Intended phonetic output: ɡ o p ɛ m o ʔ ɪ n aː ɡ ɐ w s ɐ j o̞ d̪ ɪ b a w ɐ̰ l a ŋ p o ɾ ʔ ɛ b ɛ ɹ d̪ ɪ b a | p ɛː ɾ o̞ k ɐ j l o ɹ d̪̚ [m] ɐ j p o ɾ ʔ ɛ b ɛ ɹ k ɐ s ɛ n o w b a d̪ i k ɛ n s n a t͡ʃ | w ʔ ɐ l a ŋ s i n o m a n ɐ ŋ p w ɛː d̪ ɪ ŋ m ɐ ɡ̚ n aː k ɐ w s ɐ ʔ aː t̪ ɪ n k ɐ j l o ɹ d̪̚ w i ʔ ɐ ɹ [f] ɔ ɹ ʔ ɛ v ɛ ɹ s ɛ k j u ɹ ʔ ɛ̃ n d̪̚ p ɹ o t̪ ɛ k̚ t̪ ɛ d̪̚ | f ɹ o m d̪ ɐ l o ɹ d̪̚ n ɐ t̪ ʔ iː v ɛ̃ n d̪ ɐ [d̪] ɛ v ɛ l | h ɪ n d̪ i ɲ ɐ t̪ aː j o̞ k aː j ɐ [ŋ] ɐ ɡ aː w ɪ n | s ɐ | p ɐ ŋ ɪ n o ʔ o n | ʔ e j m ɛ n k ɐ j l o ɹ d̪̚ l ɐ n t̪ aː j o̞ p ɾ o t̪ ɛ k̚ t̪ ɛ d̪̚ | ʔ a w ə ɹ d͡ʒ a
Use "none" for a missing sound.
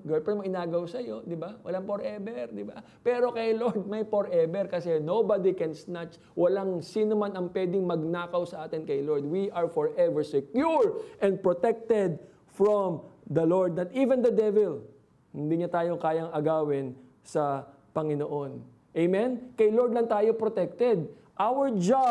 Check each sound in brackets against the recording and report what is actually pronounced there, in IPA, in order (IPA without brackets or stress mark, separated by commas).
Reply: m, f, d̪, ŋ